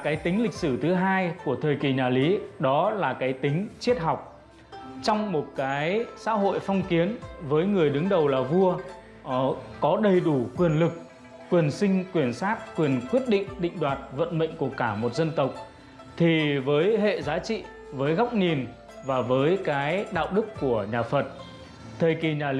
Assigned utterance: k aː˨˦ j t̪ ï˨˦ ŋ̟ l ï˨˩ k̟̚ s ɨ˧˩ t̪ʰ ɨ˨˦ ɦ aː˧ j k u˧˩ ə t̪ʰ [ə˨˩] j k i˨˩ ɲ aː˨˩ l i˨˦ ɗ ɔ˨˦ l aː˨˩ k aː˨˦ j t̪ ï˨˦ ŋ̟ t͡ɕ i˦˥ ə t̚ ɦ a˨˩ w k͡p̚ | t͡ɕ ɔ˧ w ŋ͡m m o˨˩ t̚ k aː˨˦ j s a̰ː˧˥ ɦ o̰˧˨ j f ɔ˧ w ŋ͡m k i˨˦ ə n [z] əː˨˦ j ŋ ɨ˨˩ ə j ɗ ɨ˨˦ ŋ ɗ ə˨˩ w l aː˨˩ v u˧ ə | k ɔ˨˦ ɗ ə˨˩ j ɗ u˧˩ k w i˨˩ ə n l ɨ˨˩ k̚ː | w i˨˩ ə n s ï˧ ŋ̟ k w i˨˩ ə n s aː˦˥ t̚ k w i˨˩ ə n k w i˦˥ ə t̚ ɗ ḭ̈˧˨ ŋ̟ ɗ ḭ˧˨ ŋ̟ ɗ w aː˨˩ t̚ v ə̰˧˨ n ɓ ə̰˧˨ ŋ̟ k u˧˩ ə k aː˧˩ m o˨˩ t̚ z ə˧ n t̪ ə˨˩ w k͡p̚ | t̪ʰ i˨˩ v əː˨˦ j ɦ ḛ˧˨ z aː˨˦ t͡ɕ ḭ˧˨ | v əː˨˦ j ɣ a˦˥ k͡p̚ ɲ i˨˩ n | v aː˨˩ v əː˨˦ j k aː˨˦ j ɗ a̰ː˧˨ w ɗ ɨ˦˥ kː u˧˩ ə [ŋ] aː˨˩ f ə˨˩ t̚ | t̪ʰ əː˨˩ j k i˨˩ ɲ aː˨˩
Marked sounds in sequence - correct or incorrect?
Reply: incorrect: əː˨˩, incorrect: v, incorrect: ɲ

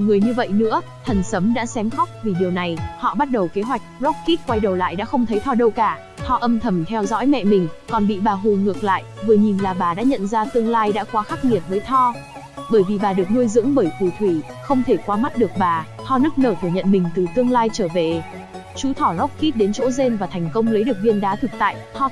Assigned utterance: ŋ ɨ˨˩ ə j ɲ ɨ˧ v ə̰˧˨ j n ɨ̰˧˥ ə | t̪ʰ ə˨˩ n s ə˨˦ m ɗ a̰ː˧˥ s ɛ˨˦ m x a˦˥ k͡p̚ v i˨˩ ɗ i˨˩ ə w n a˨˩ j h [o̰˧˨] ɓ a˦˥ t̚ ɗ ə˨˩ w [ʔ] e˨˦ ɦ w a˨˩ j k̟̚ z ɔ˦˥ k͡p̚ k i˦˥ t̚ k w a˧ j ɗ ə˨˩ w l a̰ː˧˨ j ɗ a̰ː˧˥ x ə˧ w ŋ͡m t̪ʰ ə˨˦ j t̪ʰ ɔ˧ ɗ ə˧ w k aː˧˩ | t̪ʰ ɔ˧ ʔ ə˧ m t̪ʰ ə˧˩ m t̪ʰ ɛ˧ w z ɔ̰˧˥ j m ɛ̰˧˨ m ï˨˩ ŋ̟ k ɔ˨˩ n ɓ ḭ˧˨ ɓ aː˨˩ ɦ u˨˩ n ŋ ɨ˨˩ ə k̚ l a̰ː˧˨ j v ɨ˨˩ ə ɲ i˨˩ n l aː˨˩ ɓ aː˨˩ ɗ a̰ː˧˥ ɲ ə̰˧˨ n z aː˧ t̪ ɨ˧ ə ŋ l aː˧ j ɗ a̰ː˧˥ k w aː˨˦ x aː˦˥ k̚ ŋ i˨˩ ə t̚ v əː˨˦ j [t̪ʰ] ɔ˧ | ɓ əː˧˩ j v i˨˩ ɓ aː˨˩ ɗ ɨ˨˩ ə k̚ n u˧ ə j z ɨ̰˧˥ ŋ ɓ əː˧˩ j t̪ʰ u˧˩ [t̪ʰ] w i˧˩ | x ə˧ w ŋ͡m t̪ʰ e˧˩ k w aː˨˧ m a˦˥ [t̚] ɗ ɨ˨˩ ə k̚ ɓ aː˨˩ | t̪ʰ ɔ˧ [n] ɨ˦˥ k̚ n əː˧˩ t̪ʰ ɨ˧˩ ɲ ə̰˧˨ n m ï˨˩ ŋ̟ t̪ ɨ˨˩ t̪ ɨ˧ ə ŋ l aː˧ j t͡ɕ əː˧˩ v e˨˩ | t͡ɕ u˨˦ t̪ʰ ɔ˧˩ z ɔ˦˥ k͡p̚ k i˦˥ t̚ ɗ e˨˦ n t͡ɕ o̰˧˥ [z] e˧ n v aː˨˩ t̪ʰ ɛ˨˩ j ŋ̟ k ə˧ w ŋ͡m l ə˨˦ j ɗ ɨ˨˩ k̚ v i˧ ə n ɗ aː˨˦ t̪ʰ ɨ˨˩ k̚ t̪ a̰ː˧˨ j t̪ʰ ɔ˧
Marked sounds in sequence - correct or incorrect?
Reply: incorrect: ɔ̰˧˨, incorrect: k, correct, correct, correct, correct, correct

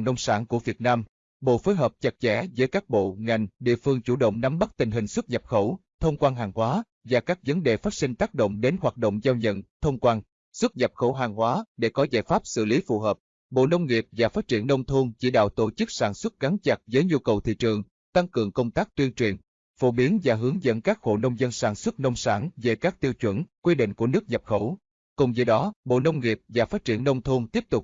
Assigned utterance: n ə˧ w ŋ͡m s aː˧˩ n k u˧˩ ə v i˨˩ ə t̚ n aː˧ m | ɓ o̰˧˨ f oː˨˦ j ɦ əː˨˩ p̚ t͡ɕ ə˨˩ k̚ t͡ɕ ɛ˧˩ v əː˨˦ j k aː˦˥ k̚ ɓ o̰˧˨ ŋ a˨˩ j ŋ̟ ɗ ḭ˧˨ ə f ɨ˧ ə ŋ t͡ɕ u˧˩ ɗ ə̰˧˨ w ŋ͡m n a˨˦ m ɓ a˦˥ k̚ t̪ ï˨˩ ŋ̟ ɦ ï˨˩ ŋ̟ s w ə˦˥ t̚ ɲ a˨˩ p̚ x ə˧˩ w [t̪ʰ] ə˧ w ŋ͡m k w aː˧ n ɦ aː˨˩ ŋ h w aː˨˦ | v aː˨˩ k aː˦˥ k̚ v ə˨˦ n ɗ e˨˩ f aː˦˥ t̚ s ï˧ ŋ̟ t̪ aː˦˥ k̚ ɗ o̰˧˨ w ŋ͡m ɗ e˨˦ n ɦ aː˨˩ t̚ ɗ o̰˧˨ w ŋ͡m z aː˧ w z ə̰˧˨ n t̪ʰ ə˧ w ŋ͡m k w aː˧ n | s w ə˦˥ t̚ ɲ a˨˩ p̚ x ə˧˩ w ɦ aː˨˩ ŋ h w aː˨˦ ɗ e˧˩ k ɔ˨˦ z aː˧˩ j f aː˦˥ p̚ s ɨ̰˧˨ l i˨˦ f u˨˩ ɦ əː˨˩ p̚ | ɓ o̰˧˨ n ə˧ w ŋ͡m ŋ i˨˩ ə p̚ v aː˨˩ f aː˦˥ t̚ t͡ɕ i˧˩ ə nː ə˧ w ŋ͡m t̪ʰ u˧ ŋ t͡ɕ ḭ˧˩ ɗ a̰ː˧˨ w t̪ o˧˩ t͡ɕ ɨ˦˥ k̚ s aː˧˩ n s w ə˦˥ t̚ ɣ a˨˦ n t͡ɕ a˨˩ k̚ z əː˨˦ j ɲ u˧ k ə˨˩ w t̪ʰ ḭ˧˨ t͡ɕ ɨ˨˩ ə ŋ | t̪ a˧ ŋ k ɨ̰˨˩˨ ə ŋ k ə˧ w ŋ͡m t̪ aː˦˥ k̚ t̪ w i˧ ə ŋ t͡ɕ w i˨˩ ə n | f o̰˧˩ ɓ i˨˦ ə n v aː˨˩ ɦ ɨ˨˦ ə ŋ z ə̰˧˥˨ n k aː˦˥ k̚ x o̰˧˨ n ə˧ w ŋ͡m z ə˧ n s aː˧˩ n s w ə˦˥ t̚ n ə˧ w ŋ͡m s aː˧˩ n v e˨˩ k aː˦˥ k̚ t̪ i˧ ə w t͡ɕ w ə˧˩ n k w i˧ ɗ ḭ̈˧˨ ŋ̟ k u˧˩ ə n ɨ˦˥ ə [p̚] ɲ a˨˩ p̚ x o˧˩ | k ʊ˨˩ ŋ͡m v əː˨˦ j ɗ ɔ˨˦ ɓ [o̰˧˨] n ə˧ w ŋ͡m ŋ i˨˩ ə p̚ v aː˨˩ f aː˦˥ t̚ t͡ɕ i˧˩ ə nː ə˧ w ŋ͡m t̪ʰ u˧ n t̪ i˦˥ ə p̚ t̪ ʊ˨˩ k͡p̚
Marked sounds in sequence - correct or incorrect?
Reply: correct, incorrect: k̚, correct

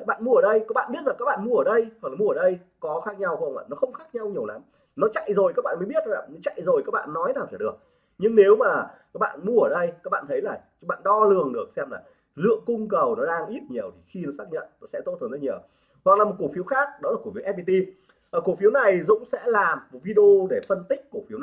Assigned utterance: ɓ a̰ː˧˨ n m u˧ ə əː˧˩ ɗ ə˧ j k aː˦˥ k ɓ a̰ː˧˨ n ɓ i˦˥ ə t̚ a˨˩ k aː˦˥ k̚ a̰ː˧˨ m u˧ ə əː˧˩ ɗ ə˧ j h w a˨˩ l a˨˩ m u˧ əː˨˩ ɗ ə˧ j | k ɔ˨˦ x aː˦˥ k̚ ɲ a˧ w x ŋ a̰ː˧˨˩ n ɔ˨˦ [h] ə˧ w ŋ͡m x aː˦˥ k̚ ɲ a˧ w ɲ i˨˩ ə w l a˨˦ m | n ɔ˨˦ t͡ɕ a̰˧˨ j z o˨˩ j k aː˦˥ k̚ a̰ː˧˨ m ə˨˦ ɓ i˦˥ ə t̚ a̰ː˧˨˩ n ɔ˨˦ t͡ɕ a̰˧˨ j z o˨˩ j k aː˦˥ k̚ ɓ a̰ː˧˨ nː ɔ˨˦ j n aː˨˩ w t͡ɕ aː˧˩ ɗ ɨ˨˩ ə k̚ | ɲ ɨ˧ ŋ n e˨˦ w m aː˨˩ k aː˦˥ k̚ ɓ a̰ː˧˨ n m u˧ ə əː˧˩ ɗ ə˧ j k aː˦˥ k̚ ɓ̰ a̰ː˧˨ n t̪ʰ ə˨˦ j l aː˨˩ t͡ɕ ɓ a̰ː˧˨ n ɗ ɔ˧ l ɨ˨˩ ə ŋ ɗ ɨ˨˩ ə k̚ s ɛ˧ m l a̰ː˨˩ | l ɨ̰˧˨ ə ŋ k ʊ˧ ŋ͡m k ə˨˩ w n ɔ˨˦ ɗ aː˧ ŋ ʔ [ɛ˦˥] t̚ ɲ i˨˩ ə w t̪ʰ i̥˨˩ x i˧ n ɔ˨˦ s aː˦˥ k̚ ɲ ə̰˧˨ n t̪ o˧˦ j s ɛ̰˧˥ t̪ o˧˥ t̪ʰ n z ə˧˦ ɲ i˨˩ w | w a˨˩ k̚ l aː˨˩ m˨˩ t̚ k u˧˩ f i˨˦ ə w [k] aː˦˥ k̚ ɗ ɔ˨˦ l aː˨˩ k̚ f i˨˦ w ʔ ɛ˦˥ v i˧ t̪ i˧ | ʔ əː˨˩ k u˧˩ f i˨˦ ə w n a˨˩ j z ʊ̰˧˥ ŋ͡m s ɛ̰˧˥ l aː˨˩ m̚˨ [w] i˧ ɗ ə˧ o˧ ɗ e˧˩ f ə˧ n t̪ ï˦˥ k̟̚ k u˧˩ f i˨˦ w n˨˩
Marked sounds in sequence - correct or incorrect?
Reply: incorrect: x, incorrect: i˦˥, incorrect: x, incorrect: v

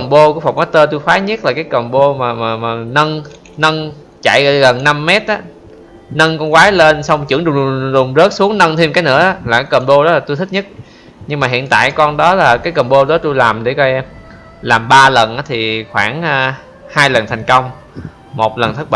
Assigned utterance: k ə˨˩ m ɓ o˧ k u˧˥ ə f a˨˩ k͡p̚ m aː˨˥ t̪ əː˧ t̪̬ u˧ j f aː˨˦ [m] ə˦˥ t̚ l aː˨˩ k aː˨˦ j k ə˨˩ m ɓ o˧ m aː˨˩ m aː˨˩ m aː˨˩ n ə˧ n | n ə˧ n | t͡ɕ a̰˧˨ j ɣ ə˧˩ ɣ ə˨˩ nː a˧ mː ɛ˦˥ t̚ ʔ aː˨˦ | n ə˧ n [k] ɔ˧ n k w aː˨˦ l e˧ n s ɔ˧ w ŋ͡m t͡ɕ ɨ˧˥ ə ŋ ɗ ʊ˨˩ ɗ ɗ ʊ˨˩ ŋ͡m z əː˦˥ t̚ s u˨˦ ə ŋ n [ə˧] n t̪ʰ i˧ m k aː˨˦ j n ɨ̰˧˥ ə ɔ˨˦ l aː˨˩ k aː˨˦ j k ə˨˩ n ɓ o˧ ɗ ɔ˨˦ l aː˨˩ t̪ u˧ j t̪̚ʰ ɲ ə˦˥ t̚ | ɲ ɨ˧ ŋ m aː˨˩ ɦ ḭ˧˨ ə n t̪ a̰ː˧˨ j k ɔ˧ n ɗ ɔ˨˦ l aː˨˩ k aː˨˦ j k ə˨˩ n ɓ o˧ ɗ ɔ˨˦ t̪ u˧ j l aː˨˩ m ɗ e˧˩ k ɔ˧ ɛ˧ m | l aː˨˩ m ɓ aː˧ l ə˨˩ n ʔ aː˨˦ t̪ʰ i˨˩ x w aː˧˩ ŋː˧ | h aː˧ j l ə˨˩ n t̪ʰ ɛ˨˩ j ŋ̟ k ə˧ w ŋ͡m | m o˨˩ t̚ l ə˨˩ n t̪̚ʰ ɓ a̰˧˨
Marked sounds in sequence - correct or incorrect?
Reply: incorrect: ɲ, correct, correct

